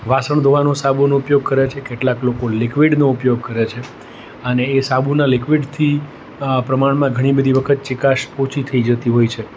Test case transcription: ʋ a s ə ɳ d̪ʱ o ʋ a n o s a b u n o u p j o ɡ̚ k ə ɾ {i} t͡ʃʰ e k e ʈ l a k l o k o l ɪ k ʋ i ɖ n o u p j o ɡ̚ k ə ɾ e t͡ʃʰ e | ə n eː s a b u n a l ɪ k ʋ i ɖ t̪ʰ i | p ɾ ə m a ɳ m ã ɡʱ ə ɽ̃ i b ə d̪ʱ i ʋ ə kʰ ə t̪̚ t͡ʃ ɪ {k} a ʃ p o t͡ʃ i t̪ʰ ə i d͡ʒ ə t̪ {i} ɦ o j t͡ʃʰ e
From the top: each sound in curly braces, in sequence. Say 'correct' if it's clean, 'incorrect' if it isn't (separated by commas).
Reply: incorrect, correct, correct